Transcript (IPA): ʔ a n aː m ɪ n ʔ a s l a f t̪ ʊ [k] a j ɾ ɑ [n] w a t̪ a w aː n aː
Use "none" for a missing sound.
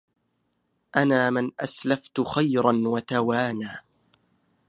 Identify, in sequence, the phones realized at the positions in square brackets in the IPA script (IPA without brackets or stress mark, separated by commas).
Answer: x, n